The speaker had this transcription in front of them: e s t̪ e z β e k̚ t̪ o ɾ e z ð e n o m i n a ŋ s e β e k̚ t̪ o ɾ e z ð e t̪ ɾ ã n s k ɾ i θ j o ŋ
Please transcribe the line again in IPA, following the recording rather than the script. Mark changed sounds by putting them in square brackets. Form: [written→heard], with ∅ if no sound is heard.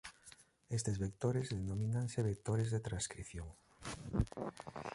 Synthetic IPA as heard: e s t̪ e z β e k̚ t̪ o ɾ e z ð e n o m i n a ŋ s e β e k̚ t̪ o ɾ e z ð e t̪ ɾ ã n s k ɾ i θ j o ŋ